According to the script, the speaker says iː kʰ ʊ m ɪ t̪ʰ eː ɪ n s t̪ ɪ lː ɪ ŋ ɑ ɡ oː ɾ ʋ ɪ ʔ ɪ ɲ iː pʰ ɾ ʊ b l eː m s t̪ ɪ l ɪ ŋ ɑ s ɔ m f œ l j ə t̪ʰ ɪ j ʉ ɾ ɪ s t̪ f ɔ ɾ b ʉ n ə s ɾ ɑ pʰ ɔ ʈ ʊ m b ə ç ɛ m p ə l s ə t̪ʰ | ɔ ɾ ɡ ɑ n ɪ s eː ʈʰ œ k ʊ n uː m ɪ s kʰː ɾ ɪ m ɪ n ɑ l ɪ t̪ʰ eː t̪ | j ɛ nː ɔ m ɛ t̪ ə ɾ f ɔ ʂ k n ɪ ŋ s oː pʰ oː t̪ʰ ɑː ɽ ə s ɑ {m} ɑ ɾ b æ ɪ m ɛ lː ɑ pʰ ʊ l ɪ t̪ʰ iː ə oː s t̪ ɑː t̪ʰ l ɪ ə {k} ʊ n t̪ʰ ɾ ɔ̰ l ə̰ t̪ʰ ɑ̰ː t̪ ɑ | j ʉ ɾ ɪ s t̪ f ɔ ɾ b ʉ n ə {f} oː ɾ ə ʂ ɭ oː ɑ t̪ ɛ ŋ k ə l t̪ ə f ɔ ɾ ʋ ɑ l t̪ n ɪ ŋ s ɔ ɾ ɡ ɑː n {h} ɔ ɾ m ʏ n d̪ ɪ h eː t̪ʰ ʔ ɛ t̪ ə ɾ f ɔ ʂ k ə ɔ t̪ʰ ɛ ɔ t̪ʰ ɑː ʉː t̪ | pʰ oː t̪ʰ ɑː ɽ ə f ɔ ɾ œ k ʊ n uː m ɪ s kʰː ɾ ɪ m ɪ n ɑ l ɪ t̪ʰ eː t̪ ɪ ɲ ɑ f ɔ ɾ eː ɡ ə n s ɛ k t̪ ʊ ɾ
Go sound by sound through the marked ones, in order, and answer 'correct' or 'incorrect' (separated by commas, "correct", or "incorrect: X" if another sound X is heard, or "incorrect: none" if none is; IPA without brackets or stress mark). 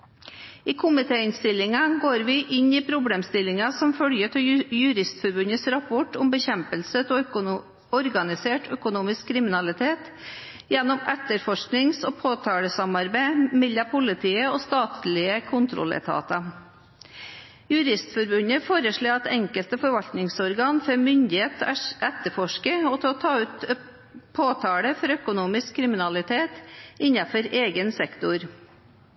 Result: correct, incorrect: kʰ, correct, incorrect: f